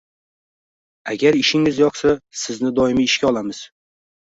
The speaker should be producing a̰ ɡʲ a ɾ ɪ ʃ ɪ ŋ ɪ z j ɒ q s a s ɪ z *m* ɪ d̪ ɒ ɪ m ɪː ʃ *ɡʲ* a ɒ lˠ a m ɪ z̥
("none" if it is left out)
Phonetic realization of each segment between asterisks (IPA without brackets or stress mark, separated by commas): n, kʲ